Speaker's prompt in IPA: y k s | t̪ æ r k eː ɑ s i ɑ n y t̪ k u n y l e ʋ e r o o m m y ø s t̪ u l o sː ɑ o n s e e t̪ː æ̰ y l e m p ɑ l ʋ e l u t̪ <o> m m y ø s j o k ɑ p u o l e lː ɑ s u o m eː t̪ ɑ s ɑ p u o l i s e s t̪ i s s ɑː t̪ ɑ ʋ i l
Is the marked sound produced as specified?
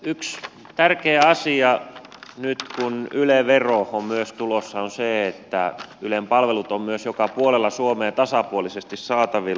yes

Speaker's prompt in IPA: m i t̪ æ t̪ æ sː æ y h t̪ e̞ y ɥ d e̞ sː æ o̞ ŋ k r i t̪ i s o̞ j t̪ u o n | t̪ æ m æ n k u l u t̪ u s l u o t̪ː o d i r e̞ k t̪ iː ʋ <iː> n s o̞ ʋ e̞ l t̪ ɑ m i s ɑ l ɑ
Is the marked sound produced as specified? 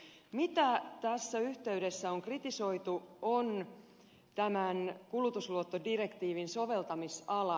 no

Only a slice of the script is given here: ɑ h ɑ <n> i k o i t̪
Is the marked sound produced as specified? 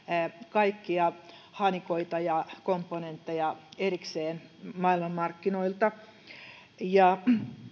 yes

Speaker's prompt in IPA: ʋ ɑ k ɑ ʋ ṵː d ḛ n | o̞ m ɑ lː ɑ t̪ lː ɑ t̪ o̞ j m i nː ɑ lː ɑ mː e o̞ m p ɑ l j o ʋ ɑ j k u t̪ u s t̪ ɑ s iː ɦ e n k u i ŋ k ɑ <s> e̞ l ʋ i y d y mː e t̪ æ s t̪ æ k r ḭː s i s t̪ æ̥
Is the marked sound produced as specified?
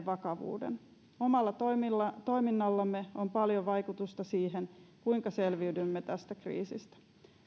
yes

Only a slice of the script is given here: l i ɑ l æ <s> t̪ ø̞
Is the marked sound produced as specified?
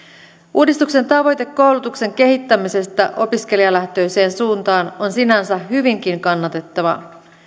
no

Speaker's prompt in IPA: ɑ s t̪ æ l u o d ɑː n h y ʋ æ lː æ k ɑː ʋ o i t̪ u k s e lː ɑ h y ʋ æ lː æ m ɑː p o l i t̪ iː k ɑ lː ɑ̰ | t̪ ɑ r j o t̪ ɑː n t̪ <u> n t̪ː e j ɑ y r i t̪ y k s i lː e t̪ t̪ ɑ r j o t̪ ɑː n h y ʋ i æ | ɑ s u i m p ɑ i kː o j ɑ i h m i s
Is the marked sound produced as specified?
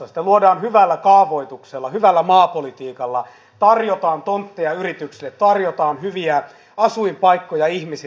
no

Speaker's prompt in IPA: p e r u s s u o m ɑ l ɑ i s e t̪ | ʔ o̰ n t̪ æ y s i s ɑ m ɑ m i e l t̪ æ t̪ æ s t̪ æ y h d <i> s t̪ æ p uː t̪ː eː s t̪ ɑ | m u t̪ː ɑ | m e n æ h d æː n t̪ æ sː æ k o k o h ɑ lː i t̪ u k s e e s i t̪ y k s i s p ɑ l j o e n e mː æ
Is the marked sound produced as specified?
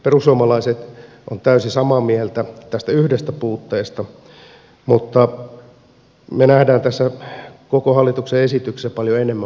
no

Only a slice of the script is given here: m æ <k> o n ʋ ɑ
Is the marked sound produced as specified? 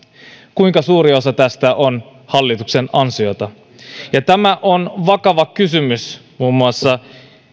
no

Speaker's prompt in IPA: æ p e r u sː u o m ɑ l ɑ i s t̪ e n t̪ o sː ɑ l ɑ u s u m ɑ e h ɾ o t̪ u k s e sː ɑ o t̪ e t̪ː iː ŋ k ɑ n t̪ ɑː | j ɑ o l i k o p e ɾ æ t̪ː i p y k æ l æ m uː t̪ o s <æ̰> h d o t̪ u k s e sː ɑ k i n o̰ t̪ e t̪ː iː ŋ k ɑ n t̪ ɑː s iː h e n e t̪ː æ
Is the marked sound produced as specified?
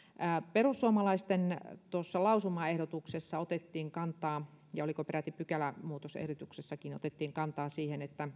no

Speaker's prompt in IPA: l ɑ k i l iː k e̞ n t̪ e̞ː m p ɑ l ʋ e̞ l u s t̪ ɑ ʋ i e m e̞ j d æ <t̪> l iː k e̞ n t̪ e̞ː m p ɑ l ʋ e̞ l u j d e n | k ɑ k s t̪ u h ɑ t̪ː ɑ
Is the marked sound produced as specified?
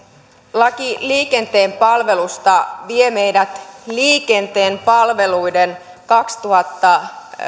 yes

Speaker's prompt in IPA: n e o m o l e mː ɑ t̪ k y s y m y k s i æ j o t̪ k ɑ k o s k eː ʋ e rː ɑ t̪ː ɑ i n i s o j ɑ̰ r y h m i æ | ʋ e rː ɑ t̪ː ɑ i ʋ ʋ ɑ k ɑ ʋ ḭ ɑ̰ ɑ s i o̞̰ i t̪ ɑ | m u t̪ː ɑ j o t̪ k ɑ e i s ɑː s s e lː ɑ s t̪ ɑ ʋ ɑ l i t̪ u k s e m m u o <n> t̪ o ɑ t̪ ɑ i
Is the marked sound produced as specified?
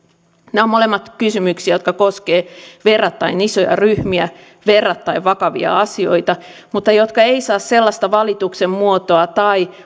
no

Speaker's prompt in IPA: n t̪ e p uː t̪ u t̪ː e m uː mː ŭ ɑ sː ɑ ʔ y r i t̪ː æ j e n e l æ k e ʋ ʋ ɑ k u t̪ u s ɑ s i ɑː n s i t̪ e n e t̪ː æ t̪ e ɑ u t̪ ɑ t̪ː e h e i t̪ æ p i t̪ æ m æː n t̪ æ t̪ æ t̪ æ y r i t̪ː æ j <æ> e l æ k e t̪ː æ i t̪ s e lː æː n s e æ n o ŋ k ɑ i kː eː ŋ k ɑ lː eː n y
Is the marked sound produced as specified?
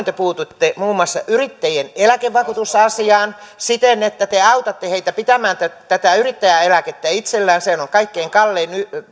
yes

